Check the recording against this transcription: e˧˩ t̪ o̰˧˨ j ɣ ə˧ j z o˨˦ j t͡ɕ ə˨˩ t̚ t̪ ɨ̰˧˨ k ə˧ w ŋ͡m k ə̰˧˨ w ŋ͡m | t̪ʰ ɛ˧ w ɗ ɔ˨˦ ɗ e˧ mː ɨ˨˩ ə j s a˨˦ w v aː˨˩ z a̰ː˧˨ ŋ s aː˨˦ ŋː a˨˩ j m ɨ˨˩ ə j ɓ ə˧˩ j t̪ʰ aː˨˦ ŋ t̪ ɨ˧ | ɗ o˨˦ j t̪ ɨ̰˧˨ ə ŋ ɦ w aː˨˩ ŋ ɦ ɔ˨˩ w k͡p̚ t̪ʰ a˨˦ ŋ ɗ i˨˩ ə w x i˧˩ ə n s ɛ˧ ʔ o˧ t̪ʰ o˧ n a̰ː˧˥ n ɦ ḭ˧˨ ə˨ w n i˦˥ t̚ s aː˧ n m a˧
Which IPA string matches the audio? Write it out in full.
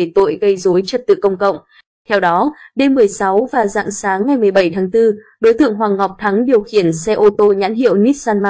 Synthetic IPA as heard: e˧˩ t̪ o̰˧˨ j ɣ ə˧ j z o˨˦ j t͡ɕ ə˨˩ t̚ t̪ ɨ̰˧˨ k ə˧ w ŋ͡m k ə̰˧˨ w ŋ͡m | t̪ʰ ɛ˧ w ɗ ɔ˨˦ ɗ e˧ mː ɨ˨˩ ə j s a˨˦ w v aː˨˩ z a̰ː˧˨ ŋ s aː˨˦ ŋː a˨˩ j m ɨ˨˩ ə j ɓ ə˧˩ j t̪ʰ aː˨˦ ŋ t̪ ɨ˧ | ɗ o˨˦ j t̪ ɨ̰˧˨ ə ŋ ɦ w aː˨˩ ŋ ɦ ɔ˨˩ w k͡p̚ t̪ʰ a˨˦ ŋ ɗ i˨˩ ə w x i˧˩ ə n s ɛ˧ ʔ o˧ t̪ o˧ ɲ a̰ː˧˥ n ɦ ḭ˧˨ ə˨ w n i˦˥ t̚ s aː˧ n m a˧